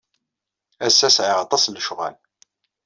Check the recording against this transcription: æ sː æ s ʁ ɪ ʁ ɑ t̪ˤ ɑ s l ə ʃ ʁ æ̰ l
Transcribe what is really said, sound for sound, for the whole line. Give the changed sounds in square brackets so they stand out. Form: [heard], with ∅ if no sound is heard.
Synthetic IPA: æ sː æ s [ʕ] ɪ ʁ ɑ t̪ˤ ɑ s l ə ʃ ʁ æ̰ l